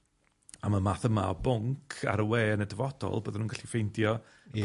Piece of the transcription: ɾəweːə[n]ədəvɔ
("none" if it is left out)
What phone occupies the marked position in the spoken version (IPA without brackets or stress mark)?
n